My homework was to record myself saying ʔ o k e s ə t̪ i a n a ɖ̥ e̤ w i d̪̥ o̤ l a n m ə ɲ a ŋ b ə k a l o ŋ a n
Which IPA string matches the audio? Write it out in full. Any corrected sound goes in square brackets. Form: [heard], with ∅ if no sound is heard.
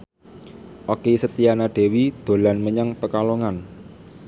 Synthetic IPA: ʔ o k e s ə t̪ i a n a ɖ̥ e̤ w i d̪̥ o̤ l a n m ə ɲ a ŋ [p] ə k a l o ŋ a n